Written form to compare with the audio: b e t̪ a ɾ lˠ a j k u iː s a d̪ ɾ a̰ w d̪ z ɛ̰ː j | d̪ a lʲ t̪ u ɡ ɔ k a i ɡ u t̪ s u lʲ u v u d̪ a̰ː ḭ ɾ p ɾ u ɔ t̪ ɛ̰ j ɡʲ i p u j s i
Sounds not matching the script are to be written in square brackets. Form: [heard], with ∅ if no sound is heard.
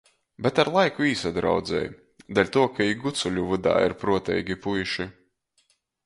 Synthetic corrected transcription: b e t̪ a ɾ lˠ a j k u iː s a d̪ ɾ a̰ w d̪ z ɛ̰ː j | d̪ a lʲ t̪ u [∅] ɔ k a i ɡ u t̪ s u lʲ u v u d̪ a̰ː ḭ ɾ p ɾ u ɔ t̪ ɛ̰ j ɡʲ i p u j [ʃ] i